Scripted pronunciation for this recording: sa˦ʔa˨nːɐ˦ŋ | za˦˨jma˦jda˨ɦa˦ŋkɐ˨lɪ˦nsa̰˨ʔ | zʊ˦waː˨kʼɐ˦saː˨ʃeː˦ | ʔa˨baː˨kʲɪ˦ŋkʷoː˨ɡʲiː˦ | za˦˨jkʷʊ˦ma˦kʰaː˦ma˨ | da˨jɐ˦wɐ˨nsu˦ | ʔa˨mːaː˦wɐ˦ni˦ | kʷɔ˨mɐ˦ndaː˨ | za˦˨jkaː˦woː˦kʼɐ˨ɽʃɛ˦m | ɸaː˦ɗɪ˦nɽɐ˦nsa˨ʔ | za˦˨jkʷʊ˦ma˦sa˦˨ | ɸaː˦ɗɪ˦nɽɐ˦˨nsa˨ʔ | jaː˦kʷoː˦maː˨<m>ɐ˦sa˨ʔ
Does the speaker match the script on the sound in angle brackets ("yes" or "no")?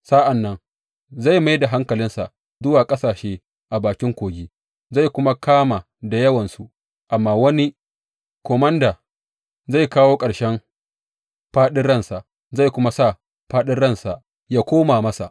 yes